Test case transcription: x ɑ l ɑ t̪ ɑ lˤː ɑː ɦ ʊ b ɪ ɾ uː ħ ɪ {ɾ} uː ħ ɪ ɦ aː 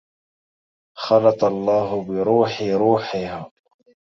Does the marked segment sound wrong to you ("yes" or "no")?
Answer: no